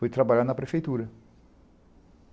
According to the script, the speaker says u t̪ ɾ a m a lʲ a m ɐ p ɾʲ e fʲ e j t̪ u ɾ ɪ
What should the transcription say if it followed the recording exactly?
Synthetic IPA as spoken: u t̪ ɾ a b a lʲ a n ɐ p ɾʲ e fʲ e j t̪ u ɾ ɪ